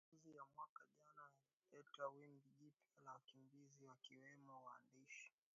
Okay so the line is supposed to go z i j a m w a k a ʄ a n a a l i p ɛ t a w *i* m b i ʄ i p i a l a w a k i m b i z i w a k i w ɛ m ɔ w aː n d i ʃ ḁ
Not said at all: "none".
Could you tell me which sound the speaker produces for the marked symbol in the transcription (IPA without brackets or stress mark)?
i